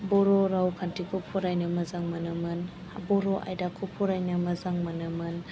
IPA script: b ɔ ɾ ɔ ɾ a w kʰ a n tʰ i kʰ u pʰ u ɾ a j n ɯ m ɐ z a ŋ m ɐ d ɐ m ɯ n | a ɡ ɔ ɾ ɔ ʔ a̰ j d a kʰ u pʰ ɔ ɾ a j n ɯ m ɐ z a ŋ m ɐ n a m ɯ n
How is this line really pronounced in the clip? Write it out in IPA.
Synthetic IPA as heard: b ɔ ɾ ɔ ɾ a w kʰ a n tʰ i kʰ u pʰ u ɾ a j n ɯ m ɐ z a ŋ m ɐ n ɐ m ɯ n | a b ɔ ɾ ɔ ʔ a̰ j d a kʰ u pʰ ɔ ɾ a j n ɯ m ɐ z a ŋ m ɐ n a m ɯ n